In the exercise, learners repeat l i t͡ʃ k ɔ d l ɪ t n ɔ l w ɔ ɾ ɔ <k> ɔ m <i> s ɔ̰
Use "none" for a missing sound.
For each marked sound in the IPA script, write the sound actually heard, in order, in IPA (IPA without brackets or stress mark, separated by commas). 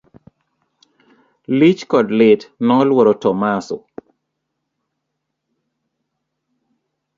t, a